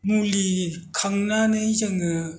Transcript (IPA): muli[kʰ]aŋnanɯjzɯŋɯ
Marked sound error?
no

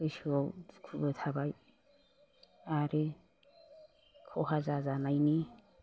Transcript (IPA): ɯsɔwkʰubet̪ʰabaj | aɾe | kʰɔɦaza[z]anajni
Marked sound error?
no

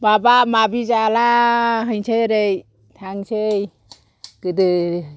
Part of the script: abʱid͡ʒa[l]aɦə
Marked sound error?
no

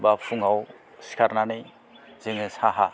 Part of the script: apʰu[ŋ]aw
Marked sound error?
no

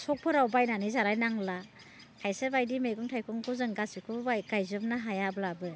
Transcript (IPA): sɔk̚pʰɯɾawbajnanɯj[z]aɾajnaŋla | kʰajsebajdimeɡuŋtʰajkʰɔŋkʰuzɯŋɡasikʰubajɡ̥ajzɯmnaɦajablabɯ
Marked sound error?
no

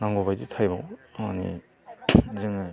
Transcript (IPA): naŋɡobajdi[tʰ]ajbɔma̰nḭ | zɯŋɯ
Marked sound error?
no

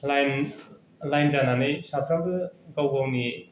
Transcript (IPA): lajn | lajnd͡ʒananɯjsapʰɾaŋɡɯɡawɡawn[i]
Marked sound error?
no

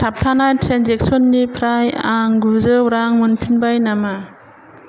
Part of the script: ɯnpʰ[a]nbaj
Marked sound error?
yes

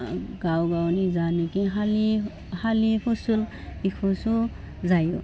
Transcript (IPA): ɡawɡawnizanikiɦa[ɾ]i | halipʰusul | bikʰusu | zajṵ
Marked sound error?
yes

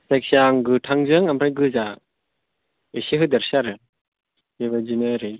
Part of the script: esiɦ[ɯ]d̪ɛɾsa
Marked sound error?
no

